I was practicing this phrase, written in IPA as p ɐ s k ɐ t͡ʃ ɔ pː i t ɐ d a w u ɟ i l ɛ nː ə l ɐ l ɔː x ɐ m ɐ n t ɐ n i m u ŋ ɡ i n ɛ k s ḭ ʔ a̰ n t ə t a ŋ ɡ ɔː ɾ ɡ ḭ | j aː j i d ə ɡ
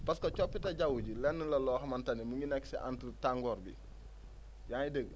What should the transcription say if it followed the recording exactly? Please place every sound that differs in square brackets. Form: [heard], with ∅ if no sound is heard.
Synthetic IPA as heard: p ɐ s k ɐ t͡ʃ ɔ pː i t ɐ [ɟ] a w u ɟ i l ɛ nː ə l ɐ l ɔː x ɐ m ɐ n t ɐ n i m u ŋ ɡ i n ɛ k s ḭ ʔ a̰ n t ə t a ŋ ɡ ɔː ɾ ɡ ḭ | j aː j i d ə ɡ